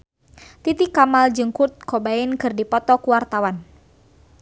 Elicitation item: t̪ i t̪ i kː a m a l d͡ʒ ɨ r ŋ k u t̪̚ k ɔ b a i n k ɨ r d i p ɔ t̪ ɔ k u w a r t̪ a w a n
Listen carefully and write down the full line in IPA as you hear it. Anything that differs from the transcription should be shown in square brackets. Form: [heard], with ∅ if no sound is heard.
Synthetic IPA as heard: t̪ i t̪ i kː a m a l d͡ʒ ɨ [∅] ŋ k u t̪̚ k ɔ b a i n k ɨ r d i p ɔ t̪ ɔ k u w a r t̪ a w a n